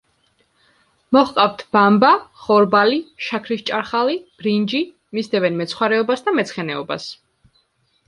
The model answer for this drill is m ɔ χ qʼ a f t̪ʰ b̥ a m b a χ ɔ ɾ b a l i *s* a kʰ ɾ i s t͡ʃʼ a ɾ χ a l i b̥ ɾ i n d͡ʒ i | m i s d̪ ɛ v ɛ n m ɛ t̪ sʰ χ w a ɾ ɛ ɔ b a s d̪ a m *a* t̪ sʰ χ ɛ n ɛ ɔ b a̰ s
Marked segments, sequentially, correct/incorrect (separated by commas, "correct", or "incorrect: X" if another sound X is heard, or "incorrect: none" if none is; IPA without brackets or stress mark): incorrect: ʃ, incorrect: ɛ